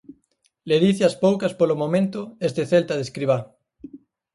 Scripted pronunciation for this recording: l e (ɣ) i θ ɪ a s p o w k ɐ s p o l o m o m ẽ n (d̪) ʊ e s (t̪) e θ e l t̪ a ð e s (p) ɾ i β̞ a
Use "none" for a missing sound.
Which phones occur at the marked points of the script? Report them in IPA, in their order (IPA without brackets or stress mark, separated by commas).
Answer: ð, t̪, t̪, k